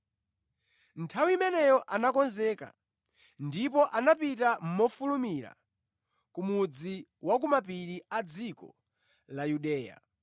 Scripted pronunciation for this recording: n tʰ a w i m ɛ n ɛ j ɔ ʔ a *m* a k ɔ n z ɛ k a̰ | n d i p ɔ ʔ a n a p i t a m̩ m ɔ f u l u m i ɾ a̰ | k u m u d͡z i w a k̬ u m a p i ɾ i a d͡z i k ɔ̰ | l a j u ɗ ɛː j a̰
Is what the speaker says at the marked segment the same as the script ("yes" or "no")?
no